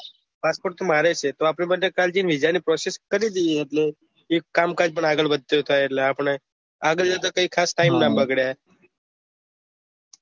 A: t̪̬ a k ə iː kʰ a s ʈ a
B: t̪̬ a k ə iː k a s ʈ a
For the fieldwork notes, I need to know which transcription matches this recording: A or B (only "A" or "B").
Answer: A